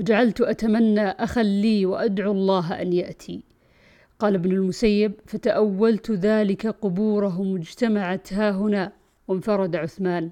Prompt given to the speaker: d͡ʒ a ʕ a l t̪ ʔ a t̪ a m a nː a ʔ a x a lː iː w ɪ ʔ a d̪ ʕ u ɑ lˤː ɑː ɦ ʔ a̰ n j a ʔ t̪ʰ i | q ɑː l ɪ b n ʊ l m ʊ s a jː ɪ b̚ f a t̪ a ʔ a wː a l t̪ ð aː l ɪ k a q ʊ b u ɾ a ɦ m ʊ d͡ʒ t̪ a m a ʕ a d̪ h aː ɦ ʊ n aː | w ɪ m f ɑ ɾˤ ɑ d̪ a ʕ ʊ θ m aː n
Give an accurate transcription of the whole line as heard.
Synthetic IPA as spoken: d͡ʒ a ʕ a l t̪ ʔ a t̪ a m a nː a ʔ a x a lː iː w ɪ ʔ a d̪ ʕ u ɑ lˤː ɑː ɦ ʔ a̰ n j a ʔ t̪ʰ i | q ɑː l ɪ b n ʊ l m ʊ s a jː ɪ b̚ f a t̪ a ʔ a wː a l t̪ ð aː l ɪ k a q ʊ b uː ɾ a ɦ m ʊ d͡ʒ t̪ a m a ʕ a t̪ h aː ɦ ʊ n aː | w ɪ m f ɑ ɾˤ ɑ d̪ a ʕ ʊ θ m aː n